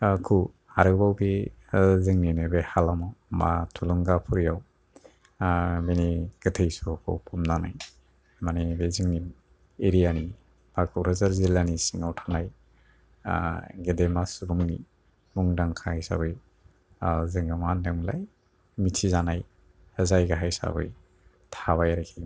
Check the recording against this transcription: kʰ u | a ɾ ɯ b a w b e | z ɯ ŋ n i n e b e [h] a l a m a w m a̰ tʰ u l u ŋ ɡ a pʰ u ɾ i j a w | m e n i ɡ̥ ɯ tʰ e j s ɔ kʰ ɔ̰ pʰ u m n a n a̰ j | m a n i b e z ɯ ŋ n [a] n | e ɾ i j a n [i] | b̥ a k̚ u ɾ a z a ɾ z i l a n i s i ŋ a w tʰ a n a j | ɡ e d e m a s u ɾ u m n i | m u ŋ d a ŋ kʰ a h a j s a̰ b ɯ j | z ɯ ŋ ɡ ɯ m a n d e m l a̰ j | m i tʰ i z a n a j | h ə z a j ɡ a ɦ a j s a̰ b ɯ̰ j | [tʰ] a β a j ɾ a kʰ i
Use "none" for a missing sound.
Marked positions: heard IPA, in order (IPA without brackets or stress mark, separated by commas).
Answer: h, i, i, tʰ